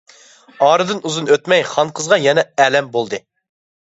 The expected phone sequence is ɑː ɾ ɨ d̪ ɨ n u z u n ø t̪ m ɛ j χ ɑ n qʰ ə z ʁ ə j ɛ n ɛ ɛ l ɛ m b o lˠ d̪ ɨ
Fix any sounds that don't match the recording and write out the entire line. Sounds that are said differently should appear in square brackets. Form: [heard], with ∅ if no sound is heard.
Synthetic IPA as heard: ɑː ɾ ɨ d̪ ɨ n u z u n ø t̪ m ɛ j χ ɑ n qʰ ə z ʁ [ɑ] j ɛ n ɛ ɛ l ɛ m b o lˠ d̪ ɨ